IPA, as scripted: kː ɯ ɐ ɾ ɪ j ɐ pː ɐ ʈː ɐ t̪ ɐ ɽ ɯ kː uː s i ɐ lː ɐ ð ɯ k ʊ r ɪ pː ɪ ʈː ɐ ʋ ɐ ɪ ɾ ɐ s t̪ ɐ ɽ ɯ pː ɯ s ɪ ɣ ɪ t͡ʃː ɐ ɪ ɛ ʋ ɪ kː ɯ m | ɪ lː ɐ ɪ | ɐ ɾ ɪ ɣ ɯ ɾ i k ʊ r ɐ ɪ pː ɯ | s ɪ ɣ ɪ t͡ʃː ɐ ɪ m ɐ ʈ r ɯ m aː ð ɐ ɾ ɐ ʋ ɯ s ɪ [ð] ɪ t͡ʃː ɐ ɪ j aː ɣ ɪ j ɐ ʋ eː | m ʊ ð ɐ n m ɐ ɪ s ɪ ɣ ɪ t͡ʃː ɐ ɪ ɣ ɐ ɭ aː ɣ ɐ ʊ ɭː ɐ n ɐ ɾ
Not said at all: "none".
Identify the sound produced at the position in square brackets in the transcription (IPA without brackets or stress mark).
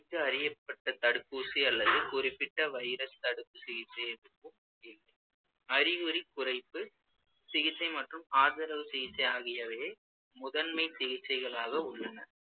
ɣ